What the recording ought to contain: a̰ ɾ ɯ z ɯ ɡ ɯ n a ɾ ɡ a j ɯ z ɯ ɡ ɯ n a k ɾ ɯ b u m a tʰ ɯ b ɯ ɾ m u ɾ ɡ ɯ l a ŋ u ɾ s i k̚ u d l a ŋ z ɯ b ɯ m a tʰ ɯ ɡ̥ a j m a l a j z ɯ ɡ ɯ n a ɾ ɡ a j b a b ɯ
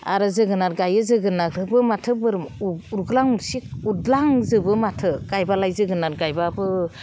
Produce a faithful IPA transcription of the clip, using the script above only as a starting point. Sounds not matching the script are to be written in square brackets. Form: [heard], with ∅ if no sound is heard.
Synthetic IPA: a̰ ɾ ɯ z ɯ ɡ ɯ n a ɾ ɡ a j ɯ z ɯ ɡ ɯ n a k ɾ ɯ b [ɯ] m a tʰ ɯ b ɯ ɾ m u ɾ ɡ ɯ l a ŋ u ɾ s i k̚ u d l a ŋ z ɯ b ɯ m a tʰ ɯ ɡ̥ a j [b] a l a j z ɯ ɡ ɯ n a ɾ ɡ a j b a b ɯ